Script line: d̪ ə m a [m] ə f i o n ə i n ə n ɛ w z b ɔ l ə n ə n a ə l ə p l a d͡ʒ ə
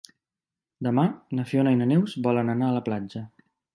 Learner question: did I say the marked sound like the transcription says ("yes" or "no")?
no